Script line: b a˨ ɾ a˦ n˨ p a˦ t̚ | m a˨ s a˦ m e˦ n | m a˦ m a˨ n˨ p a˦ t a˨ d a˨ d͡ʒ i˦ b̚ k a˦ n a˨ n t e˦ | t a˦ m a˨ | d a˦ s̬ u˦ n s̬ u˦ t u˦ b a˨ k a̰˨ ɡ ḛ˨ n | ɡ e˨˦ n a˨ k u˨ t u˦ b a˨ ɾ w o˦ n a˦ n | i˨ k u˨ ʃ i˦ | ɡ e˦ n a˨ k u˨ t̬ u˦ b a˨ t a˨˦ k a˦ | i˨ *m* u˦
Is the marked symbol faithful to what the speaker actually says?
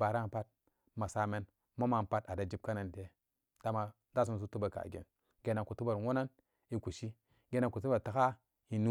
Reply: no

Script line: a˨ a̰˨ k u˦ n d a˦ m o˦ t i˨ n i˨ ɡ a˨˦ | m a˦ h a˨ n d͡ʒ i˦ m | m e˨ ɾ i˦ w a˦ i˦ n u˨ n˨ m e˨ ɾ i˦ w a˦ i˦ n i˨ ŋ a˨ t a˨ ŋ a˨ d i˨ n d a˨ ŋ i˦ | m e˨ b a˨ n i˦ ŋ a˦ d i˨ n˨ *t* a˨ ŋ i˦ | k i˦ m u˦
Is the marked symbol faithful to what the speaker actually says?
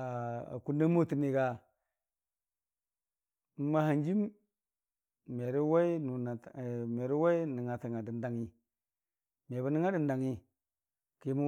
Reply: no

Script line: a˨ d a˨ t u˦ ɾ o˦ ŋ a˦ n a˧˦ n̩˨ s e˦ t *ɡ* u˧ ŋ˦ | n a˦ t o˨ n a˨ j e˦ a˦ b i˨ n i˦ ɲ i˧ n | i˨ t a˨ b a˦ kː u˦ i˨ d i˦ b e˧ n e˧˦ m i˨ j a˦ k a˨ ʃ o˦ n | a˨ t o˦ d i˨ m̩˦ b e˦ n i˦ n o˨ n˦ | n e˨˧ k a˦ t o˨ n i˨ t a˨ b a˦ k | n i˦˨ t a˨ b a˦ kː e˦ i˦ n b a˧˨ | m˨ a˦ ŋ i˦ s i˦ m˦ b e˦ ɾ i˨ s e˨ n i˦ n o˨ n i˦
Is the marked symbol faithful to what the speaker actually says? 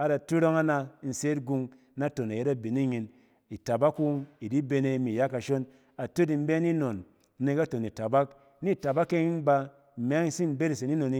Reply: yes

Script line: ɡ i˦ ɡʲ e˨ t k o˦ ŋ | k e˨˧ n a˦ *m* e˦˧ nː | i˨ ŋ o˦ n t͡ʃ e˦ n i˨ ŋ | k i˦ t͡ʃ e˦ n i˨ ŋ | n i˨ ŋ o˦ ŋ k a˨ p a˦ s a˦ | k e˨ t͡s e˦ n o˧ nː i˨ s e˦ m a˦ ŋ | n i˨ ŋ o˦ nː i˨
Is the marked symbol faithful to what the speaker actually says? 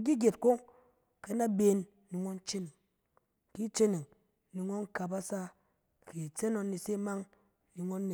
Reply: no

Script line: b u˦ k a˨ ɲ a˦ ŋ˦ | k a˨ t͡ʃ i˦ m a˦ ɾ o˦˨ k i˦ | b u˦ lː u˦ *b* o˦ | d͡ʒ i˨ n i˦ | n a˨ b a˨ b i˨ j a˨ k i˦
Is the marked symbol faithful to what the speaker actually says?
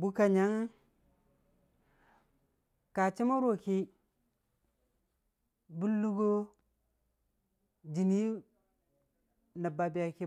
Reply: no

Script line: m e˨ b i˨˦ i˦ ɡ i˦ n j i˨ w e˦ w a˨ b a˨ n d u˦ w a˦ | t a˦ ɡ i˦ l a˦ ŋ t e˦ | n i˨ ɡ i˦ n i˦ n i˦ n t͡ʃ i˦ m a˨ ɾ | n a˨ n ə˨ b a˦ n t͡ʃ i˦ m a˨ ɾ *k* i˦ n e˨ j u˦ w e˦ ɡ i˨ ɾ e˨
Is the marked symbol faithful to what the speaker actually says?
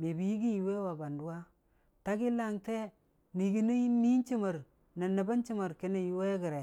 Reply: yes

